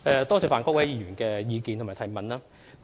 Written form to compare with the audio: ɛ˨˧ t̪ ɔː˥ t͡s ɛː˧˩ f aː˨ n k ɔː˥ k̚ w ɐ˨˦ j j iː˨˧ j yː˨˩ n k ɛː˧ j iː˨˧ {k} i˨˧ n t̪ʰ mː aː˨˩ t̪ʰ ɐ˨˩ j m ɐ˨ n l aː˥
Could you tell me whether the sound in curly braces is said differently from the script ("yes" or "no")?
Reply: no